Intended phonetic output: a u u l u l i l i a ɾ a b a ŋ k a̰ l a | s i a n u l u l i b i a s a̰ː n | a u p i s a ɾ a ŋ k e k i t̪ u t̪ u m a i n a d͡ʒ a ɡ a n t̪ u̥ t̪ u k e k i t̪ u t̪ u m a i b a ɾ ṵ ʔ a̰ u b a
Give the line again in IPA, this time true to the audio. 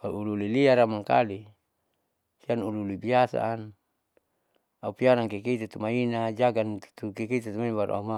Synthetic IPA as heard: a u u l u l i l i a ɾ a m a ŋ k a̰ l i | s i a n u l u l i b i a s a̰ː n | a u p i a ɾ a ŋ k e k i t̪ u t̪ u m a i n a d͡ʒ a ɡ a n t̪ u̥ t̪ u k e k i t̪ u t̪ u m a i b a ɾ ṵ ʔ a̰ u m a